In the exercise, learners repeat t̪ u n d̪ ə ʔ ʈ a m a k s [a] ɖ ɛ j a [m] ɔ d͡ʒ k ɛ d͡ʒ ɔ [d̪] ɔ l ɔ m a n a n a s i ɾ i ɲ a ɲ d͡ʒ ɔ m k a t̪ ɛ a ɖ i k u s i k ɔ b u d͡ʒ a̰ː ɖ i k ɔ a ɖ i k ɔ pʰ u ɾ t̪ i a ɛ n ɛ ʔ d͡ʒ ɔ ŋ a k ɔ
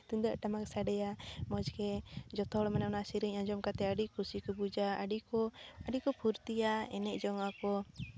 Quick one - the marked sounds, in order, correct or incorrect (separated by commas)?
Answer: correct, correct, incorrect